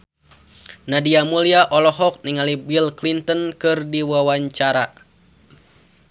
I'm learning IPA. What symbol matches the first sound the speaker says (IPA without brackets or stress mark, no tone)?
n